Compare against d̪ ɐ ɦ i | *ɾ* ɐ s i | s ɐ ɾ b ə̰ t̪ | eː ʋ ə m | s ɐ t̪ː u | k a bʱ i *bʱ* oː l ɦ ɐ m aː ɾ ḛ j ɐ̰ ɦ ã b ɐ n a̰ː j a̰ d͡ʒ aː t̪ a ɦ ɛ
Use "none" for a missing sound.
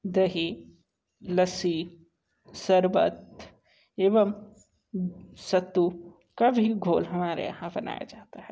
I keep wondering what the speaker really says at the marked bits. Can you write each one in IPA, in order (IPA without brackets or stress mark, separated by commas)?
l, ɡʱ